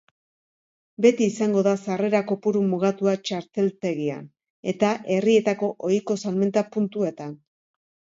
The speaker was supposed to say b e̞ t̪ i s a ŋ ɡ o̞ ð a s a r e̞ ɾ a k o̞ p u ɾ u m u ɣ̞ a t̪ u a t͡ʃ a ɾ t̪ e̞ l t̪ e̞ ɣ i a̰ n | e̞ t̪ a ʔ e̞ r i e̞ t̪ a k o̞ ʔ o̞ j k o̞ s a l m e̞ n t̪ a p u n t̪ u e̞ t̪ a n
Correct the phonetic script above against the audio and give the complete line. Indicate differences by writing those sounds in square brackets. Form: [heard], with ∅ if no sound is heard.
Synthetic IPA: b e̞ t̪ [iː] s a ŋ ɡ o̞ ð a s a r e̞ ɾ a k o̞ p u ɾ u m u ɣ̞ a t̪ u a t͡ʃ a ɾ t̪ e̞ l t̪ e̞ ɣ i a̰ n | e̞ t̪ a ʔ e̞ r i e̞ t̪ a k o̞ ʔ o̞ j k o̞ s a l m e̞ n t̪ a p u n t̪ u e̞ t̪ a n